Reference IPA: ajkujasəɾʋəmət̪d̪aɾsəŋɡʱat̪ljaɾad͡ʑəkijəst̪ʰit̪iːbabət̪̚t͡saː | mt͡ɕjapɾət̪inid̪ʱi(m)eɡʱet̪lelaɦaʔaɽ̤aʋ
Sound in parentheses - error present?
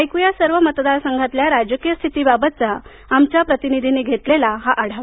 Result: yes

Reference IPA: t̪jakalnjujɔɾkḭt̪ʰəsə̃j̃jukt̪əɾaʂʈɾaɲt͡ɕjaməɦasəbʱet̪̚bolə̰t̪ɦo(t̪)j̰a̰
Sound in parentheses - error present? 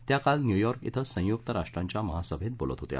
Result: no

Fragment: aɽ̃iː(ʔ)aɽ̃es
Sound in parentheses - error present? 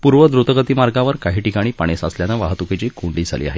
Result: yes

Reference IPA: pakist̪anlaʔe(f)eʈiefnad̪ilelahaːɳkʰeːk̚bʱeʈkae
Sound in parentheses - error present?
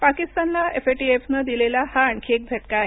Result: no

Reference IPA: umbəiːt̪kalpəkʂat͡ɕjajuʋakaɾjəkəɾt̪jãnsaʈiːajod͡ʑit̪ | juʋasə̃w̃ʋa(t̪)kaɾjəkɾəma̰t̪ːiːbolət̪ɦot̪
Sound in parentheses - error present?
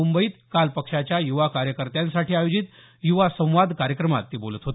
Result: yes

